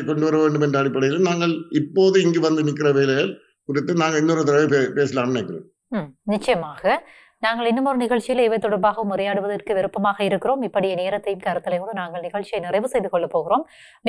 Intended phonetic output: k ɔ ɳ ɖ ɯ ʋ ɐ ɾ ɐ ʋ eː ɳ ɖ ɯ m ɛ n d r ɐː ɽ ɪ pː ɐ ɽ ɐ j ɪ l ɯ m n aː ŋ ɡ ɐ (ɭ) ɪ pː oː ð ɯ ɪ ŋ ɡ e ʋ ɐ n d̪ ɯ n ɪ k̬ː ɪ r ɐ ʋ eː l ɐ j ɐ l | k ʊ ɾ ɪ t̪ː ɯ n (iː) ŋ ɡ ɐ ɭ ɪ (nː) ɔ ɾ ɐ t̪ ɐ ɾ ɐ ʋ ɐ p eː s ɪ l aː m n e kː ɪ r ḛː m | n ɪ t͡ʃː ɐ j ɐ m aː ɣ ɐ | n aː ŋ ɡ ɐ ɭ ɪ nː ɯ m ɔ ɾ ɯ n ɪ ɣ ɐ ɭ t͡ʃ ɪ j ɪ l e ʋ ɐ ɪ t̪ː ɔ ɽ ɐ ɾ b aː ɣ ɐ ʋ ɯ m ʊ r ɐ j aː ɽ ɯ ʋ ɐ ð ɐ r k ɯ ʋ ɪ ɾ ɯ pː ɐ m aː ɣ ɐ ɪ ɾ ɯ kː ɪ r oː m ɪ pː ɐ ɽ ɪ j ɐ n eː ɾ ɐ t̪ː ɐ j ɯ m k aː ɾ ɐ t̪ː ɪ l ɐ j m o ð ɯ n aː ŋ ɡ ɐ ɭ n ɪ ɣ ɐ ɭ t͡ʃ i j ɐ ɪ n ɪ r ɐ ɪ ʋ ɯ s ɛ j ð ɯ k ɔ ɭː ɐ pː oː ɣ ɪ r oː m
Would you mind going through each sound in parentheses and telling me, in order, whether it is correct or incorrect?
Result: correct, incorrect: aː, correct

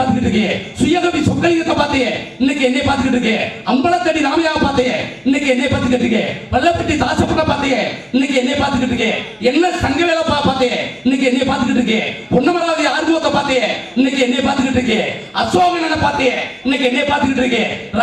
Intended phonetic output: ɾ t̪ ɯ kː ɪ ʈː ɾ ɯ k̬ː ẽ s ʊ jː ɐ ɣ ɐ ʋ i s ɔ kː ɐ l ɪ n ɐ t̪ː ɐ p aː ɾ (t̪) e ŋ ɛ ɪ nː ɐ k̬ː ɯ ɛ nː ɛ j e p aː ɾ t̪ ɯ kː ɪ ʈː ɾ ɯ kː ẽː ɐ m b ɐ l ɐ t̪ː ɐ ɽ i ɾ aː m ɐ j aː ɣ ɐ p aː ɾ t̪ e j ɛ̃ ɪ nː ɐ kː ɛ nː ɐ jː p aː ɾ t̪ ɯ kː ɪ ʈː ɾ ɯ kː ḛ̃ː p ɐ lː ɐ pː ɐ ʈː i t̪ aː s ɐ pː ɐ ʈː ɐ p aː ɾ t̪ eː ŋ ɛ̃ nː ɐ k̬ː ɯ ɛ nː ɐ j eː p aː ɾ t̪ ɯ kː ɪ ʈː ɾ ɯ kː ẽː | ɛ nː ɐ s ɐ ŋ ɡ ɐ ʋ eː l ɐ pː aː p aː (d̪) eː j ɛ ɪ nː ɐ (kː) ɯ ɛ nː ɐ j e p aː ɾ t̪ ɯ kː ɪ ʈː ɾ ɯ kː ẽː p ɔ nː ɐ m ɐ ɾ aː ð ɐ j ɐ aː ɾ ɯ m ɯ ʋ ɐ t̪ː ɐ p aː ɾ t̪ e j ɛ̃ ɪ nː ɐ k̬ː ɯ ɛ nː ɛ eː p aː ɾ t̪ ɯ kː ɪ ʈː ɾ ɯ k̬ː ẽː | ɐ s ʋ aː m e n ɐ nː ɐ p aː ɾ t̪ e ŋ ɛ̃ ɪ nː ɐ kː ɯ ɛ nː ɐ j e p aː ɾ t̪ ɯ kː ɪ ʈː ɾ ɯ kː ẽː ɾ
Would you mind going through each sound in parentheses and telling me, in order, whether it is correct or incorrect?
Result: correct, incorrect: t̪, correct

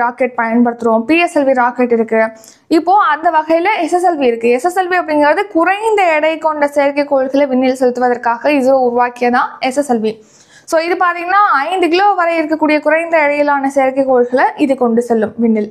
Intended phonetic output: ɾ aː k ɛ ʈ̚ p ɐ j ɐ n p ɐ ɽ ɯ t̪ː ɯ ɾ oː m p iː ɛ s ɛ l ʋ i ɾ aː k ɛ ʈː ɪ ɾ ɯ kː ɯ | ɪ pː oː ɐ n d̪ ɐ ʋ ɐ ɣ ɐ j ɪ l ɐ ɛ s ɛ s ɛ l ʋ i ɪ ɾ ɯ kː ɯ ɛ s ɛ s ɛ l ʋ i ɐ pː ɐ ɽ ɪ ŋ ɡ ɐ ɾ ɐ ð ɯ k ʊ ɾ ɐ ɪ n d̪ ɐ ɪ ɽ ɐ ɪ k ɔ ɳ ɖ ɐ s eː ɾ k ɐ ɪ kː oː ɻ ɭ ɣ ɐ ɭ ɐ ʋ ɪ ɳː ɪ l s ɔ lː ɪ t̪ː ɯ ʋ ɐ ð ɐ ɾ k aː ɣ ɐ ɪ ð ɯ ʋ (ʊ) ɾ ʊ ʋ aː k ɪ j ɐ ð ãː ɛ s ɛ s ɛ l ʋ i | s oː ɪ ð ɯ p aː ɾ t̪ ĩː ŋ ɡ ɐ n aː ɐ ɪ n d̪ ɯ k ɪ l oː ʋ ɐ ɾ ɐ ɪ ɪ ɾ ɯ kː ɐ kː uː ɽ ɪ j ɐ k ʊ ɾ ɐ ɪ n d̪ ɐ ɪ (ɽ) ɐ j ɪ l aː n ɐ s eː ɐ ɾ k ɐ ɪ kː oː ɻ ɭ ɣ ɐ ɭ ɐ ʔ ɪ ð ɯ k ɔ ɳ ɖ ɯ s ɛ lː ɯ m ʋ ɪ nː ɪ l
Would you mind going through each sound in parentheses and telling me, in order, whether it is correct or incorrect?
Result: correct, correct

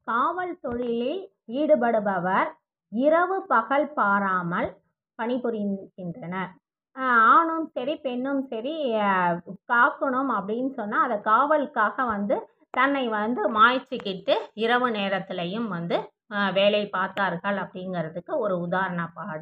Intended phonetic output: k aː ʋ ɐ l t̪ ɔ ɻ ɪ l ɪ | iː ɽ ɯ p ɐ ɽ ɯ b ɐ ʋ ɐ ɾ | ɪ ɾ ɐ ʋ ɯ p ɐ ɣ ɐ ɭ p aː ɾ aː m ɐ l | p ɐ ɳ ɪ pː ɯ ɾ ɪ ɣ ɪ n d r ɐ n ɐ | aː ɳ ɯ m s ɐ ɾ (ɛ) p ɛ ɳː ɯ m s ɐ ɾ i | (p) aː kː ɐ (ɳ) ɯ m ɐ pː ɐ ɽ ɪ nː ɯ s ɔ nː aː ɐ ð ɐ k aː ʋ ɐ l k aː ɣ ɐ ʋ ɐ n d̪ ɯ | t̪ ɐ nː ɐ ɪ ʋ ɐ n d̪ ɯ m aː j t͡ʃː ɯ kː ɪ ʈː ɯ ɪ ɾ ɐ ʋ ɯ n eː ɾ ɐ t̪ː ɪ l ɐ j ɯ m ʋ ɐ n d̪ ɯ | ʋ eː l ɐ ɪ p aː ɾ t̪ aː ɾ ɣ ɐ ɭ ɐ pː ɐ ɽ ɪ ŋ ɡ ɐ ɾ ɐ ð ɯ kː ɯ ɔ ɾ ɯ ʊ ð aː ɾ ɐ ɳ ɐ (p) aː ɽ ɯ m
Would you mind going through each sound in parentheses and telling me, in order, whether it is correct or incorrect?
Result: incorrect: i, incorrect: k, correct, correct

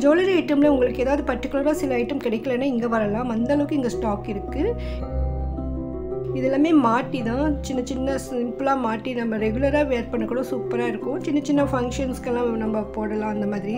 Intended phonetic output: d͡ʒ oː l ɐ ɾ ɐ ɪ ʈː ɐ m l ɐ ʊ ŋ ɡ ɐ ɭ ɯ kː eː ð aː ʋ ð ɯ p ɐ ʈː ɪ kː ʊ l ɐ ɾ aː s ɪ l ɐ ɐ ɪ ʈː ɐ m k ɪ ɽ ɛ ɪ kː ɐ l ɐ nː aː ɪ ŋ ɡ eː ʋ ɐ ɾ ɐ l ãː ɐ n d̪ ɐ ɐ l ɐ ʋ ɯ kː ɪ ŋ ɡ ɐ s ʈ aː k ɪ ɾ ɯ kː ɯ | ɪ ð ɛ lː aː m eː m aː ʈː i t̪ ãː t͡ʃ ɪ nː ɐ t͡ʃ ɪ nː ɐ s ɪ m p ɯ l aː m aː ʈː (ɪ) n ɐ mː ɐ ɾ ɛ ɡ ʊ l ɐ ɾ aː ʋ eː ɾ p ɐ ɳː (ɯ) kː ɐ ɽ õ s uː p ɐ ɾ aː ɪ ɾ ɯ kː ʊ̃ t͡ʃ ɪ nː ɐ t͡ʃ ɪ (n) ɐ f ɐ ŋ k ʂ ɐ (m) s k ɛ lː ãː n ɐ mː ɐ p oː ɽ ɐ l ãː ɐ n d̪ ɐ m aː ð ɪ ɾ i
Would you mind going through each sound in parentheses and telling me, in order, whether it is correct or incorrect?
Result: incorrect: i, correct, incorrect: nː, incorrect: n

